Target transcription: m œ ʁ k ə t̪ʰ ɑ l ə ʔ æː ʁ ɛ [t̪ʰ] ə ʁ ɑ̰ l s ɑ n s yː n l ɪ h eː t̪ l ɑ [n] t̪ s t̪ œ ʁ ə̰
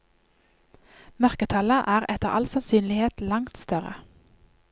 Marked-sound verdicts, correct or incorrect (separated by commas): incorrect, incorrect